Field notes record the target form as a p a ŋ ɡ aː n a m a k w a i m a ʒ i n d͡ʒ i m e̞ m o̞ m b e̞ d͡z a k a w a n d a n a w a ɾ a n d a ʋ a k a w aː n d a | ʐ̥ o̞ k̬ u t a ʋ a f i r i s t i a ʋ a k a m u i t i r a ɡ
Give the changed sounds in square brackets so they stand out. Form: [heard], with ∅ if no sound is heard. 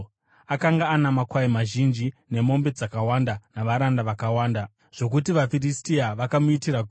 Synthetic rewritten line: a [k] a ŋ ɡ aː n a m a k w a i m a ʒ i n d͡ʒ i [n] e̞ m o̞ m b e̞ d͡z a k a w a n d a n a [ʋ] a ɾ a n d a ʋ a k a w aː n d a | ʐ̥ o̞ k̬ u t [i] ʋ a f i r i s t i a ʋ a k a m u i t i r a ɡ